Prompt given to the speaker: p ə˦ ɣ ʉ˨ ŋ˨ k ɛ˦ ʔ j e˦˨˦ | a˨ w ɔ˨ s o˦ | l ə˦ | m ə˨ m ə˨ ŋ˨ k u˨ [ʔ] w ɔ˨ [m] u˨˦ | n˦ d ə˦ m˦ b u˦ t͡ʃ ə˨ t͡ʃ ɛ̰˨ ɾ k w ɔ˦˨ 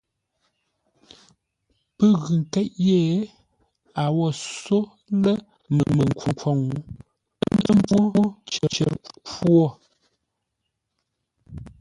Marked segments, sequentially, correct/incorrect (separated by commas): incorrect, incorrect